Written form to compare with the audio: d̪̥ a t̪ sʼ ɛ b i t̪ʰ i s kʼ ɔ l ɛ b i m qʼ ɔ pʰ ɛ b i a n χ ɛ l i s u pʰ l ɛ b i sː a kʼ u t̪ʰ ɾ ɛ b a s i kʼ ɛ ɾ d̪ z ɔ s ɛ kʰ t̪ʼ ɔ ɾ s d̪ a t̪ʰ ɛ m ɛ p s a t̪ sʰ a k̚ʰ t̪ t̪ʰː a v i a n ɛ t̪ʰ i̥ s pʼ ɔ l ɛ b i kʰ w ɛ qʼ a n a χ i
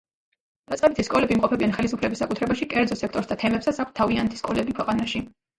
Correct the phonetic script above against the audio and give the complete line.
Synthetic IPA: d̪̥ a t̪ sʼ ɛ b i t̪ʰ i s kʼ ɔ l ɛ b i m qʼ ɔ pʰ ɛ b i a n χ ɛ l i s u pʰ l ɛ b i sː a kʼ u t̪ʰ ɾ ɛ b a ʃ i kʼ ɛ ɾ d̪ z ɔ s ɛ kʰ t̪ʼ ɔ ɾ s d̪ a t̪ʰ ɛ m ɛ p s a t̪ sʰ a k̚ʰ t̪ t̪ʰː a v i a n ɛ t̪ʰ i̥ s kʼ ɔ l ɛ b i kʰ w ɛ qʼ a n a ʃ i